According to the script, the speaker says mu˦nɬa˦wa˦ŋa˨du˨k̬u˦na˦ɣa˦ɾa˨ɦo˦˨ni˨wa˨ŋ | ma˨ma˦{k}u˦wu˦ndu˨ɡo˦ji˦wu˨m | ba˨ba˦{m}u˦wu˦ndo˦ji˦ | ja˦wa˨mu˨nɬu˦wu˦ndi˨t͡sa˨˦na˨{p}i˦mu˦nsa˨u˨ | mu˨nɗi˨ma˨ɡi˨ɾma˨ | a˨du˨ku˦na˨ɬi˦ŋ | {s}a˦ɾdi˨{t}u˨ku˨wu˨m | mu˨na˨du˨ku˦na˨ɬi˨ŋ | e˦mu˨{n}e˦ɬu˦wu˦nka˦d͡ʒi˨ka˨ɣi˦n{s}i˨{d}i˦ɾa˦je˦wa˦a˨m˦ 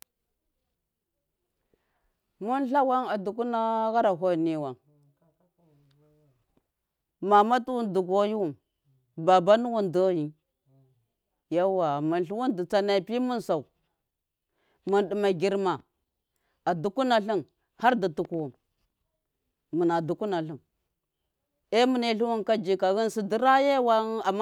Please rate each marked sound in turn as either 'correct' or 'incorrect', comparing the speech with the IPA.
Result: incorrect: t, incorrect: n, correct, incorrect: h, correct, correct, correct, correct

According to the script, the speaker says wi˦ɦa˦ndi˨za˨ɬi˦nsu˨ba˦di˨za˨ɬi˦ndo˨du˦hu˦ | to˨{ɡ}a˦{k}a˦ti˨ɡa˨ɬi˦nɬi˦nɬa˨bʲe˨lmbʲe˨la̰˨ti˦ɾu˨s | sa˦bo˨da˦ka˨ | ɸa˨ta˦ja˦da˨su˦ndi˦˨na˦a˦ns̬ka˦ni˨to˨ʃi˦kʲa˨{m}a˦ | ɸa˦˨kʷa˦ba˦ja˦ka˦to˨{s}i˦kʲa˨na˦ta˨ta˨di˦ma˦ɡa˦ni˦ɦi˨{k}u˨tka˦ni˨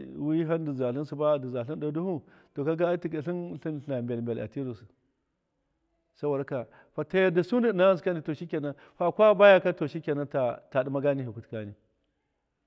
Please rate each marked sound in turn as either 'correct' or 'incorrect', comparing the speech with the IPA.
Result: incorrect: k, incorrect: ɡ, incorrect: n, incorrect: ʃ, correct

